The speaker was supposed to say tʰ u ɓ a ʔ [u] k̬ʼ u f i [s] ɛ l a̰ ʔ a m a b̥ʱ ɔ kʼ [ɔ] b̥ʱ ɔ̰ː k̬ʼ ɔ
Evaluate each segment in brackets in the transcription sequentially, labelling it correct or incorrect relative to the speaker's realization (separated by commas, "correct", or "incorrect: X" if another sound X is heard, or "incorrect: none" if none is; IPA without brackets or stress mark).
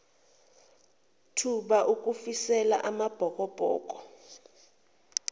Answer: correct, correct, correct